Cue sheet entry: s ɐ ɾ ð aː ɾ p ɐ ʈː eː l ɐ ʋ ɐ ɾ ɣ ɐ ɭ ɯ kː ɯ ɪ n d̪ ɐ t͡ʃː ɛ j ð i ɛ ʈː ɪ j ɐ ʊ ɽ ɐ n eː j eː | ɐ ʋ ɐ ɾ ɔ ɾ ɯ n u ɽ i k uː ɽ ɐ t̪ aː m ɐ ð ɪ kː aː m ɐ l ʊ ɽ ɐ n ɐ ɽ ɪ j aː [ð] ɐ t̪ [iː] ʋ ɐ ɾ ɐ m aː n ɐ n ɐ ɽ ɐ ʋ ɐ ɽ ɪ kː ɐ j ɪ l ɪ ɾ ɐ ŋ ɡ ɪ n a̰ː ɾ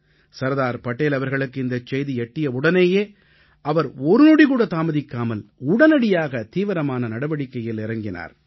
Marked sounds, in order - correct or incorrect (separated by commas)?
incorrect, correct